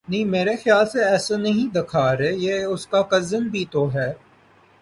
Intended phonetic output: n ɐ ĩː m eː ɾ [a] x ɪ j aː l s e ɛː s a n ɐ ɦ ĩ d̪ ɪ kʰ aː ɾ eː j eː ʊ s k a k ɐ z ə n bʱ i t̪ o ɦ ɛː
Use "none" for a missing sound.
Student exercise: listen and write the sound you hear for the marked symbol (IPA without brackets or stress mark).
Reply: e